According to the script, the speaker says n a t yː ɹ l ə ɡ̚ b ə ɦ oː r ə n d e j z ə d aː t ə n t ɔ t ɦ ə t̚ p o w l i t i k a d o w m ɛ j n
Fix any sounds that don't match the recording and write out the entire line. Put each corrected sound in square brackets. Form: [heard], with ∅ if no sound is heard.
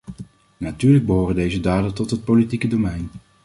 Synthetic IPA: n a t yː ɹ l ə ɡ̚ b ə ɦ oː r ə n d e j z ə d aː [d] ə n t ɔ t ɦ ə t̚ p o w l i t i k [ə] d o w m ɛ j n